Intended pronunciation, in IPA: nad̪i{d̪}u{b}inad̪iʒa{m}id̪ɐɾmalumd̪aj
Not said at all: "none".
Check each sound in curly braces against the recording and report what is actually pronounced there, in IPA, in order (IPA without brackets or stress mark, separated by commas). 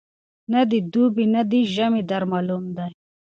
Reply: d̪, b, m